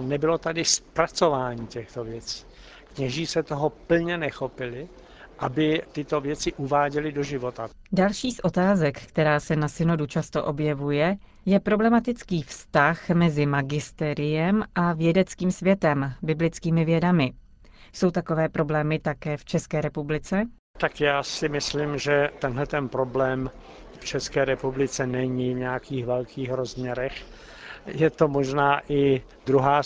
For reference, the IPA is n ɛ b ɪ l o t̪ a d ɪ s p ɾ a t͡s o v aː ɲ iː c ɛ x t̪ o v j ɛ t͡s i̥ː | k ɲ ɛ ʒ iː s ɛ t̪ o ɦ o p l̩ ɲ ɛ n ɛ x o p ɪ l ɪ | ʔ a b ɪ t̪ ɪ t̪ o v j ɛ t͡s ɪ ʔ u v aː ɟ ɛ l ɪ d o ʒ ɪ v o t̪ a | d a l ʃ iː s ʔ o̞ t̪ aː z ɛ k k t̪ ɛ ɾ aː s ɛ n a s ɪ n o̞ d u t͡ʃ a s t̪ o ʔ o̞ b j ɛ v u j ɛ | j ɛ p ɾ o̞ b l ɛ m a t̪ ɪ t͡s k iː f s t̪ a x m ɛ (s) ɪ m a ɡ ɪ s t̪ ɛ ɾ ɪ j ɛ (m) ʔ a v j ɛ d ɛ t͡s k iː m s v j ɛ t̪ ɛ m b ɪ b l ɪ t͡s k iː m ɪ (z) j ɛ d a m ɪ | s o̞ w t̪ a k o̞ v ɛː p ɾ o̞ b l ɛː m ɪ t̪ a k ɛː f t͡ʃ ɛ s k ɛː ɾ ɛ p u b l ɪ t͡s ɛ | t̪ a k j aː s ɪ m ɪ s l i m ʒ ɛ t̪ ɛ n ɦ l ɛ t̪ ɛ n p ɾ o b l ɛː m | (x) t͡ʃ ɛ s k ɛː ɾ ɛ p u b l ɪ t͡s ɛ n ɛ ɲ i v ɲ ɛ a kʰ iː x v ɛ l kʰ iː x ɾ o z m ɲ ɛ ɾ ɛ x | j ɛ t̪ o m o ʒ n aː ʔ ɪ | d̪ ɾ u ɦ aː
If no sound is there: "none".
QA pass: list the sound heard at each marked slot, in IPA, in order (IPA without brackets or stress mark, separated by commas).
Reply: z, m, v, f